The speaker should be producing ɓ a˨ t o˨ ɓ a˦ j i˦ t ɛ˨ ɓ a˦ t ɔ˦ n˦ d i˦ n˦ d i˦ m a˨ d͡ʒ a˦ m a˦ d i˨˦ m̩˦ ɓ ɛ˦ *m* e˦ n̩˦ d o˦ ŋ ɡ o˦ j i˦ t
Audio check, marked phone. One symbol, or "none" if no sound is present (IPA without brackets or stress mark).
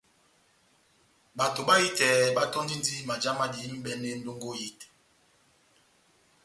n